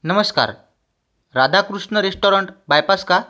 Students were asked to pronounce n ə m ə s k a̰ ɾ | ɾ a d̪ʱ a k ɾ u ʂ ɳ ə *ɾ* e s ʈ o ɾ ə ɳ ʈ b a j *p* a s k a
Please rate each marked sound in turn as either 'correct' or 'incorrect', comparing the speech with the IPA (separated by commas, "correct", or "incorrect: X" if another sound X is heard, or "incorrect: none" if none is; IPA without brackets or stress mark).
correct, correct